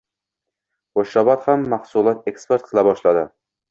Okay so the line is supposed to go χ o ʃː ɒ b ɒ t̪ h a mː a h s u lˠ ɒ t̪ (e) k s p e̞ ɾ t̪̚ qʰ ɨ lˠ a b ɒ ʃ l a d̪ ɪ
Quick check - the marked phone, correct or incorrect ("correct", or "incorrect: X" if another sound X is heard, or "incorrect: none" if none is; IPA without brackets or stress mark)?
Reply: correct